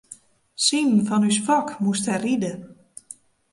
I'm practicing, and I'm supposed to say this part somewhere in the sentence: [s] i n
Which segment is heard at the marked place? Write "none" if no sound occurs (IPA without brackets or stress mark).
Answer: s